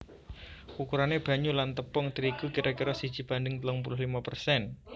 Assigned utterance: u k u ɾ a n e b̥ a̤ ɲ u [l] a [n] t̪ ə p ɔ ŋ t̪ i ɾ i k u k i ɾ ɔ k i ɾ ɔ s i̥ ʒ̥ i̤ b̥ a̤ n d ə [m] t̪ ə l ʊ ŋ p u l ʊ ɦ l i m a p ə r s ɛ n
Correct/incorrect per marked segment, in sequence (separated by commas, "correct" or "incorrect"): correct, correct, incorrect